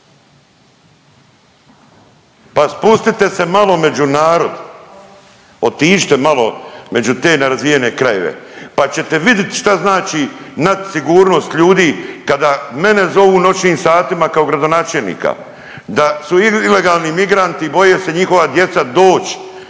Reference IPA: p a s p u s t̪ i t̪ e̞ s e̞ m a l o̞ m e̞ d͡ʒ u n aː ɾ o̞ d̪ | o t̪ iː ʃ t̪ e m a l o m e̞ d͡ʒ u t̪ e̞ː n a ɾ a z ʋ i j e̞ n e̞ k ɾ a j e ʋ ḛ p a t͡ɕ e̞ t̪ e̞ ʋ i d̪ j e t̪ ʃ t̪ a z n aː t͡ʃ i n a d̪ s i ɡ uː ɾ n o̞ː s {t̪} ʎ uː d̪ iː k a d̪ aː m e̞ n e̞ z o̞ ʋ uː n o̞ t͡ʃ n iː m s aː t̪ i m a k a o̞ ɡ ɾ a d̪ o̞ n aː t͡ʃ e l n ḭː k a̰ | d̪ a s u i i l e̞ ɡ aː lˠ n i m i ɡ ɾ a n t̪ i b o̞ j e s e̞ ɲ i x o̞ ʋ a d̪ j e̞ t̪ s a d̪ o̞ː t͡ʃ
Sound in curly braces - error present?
no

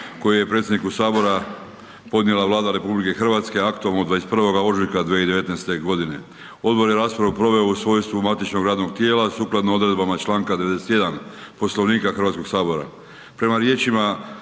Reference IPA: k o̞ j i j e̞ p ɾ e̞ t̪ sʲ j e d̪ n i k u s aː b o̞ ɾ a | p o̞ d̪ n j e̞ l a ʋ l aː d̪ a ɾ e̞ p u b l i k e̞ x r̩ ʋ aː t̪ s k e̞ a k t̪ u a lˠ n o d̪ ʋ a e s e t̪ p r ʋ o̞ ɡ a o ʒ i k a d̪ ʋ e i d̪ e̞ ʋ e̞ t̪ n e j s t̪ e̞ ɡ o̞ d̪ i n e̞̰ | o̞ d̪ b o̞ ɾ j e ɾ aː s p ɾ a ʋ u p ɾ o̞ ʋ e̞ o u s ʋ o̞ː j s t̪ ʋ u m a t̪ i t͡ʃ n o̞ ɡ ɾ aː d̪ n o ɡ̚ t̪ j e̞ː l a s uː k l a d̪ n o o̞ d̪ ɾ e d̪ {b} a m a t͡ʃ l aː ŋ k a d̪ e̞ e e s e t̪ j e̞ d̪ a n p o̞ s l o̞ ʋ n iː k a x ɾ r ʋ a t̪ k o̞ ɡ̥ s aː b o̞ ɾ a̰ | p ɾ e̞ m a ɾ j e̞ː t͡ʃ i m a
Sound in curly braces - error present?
no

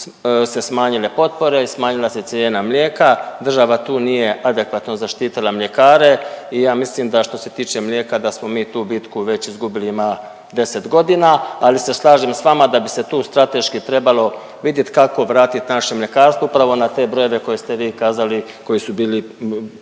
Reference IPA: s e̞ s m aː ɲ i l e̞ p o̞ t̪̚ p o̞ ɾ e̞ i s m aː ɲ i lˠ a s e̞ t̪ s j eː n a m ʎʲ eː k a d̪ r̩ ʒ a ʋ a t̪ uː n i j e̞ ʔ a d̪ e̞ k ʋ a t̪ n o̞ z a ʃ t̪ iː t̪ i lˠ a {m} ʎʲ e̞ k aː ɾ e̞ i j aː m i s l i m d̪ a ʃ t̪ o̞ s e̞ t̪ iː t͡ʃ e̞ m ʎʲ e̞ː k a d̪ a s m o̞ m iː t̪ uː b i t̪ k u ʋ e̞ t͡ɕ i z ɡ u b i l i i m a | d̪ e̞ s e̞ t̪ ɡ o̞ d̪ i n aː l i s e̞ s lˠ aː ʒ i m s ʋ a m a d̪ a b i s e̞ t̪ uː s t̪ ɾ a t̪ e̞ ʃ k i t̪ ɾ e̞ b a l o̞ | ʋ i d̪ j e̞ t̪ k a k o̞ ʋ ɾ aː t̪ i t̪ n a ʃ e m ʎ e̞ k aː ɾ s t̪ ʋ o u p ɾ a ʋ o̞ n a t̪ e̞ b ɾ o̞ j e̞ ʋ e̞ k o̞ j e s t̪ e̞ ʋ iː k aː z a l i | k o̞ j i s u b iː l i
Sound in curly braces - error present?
no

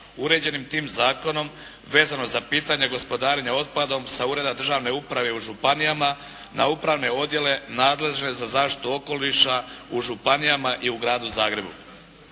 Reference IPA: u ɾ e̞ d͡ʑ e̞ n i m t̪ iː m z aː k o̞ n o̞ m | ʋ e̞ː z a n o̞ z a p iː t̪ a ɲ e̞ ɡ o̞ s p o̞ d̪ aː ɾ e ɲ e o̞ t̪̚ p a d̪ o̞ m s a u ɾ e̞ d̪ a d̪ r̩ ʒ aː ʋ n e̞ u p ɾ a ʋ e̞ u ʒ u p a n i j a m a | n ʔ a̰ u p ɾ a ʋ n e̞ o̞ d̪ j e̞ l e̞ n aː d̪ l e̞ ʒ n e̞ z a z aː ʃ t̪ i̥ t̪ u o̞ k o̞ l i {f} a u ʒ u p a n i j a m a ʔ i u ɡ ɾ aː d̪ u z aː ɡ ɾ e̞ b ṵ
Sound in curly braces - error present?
yes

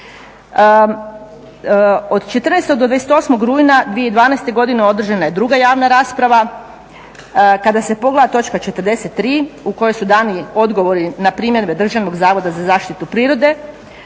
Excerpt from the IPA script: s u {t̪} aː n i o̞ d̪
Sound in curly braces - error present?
yes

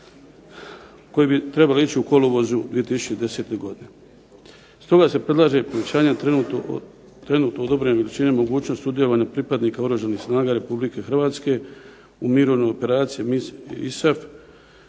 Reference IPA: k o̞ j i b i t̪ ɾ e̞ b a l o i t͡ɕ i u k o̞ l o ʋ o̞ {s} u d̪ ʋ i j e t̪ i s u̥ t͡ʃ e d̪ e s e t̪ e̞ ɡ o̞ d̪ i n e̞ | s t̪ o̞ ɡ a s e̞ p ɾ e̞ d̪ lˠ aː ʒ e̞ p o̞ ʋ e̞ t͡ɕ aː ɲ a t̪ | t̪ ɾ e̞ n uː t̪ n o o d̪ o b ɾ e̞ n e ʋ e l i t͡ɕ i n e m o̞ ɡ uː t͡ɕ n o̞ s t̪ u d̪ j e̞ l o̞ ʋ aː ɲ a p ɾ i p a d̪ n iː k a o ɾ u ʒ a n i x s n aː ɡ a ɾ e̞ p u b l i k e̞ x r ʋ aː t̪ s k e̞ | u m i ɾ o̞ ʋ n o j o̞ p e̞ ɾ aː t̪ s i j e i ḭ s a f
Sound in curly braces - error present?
yes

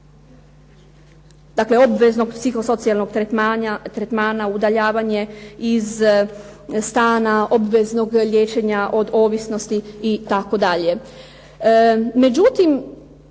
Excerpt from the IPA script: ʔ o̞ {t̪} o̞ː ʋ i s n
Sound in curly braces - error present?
yes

